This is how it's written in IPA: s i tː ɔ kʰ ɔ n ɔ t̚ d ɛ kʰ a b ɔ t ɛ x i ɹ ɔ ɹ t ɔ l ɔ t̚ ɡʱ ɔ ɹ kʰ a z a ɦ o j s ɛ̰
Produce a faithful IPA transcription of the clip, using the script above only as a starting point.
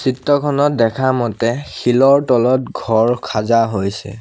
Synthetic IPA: s i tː ɔ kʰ ɔ n ɔ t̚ d ɛ kʰ a m ɔ t ɛ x i l ɔ ɹ t ɔ l ɔ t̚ ɡʱ ɔ ɹ kʰ a z a ɦ o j s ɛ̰